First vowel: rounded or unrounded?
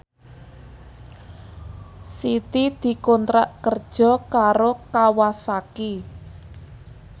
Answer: unrounded